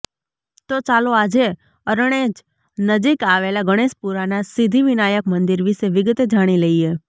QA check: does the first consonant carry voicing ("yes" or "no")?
no